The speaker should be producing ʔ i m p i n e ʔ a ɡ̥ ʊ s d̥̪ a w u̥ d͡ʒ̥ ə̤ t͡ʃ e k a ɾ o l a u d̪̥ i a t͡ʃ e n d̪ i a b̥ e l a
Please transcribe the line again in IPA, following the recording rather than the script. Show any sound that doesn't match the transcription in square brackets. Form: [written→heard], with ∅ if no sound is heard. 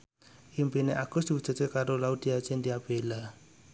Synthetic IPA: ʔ i m p i n e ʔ a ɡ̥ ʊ s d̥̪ [a→i] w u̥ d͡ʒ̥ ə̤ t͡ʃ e k a ɾ o l a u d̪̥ i a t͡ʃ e n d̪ i a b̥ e l a

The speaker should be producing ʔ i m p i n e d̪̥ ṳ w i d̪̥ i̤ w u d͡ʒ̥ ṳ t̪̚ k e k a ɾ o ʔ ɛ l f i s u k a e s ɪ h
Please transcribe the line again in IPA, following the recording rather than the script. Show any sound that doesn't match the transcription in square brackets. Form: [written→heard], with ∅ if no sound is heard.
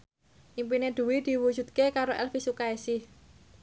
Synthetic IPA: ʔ i m p i n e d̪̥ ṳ w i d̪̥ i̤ w u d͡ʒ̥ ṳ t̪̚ k e k a ɾ o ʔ ɛ l f i s u k a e s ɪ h

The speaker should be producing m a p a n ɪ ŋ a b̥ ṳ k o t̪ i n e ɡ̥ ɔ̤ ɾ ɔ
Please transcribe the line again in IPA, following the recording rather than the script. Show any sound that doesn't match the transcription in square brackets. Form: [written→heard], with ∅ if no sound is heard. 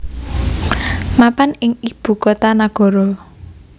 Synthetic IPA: m a p a n ɪ ŋ [a→i] b̥ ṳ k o t̪ [i→a] n [e→a] ɡ̥ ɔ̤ ɾ ɔ

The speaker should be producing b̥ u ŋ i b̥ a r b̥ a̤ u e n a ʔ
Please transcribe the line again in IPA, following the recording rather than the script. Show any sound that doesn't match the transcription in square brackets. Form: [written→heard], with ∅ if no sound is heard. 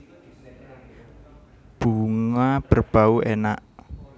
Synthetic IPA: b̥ u ŋ [i→a] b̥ [a→ə] r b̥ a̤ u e n a ʔ

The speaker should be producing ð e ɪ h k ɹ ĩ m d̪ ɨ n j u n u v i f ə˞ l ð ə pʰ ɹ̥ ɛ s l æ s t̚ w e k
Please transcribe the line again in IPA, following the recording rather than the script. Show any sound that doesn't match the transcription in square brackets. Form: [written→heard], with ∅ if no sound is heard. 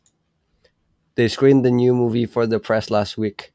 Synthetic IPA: ð e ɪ [h→s] k ɹ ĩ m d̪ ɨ n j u [n→m] u v i f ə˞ [l→∅] ð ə pʰ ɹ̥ ɛ s l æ s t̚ w [e→i] k

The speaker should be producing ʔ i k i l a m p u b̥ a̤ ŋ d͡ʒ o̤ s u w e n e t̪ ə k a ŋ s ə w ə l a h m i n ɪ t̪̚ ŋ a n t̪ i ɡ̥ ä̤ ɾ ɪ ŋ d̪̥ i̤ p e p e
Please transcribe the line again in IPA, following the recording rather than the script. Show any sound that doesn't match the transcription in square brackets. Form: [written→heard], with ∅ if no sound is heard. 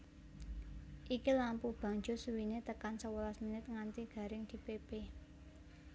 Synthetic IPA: ʔ i k i l a m p u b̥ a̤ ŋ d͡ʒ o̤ s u w [e→i] n e t̪ ə k a [ŋ→n] s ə w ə l a [h→s] m i n ɪ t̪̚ ŋ a n t̪ i ɡ̥ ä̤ ɾ ɪ ŋ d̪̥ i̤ p e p e

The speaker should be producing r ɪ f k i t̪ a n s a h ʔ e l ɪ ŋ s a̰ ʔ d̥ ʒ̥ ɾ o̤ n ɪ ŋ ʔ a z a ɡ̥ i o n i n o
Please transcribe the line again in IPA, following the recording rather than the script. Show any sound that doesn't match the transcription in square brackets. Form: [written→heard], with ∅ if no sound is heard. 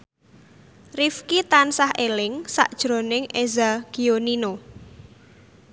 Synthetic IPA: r [ɪ→i] f k i t̪ a n s a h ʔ e l ɪ ŋ s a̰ ʔ d̥ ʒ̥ ɾ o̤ n ɪ ŋ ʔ [a→e] z a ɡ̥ i o n i n o

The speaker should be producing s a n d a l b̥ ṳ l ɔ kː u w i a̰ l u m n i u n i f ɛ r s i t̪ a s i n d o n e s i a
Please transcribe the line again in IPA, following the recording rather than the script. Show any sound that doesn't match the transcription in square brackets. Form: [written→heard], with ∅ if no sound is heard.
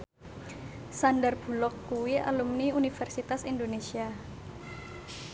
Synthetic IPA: s a n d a [l→r] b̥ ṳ l ɔ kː u w i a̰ l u m n i u n i f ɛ r s i t̪ a s i n d o n e s i a

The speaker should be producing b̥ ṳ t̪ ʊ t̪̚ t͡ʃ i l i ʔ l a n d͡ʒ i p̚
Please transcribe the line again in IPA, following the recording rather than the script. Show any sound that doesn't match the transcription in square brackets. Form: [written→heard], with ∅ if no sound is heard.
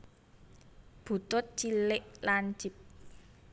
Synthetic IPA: b̥ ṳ t̪ ʊ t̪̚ t͡ʃ i l [i→ɪ] ʔ l a n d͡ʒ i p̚

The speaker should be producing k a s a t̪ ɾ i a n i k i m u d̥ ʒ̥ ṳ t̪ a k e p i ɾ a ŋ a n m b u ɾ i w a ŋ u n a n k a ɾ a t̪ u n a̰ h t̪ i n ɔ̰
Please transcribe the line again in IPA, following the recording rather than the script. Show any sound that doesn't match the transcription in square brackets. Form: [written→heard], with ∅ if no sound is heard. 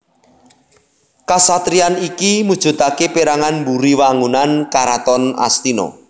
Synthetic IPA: k a s a t̪ ɾ i a n i k i m u d̥ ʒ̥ ṳ t̪ a k e p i ɾ a ŋ a n m b u ɾ i w a ŋ u n a n k a ɾ a t̪ [u→ɔ] n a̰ [h→s] t̪ i n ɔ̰

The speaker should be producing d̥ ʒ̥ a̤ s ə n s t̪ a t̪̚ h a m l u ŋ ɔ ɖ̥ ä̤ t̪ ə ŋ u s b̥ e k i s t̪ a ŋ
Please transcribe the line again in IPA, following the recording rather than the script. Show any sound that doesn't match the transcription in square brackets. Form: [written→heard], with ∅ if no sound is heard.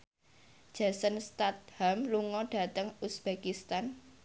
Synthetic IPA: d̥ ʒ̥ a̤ s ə n s t̪ a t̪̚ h a m l u ŋ ɔ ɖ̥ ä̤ t̪ ə ŋ u s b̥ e k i s t̪ a [ŋ→n]

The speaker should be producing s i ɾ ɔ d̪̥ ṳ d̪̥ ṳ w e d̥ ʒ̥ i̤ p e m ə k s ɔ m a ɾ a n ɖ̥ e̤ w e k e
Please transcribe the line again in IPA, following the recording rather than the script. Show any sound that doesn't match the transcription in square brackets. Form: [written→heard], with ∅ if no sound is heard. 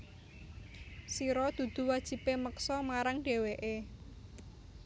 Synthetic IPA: s i ɾ ɔ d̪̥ ṳ d̪̥ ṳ w [e→a] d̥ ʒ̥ i̤ p e m ə k s ɔ m a ɾ a [n→ŋ] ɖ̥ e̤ w e [k→ʔ] e

